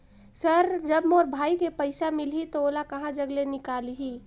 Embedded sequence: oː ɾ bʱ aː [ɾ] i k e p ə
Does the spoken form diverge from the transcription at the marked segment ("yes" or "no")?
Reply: yes